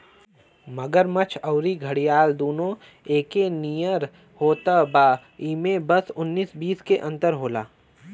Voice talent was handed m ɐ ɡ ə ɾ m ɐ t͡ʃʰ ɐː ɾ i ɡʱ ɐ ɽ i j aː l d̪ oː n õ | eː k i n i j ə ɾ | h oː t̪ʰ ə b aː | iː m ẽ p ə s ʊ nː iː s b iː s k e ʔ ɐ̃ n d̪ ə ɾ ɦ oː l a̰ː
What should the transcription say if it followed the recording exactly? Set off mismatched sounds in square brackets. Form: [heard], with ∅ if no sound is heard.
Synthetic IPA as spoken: m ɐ ɡ ə ɾ m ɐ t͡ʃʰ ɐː ɾ i ɡʱ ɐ ɽ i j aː l d̪ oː n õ | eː k [e] n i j ə ɾ | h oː [t̪] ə b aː | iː m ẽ [b] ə s ʊ nː iː s b iː s k e ʔ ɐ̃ n [t̪] ə ɾ ɦ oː l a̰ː